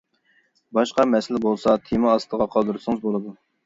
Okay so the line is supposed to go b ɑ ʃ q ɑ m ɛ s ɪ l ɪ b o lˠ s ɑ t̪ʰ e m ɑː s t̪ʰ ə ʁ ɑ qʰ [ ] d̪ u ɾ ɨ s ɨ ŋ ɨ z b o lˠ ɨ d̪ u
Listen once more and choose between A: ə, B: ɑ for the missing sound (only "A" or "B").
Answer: B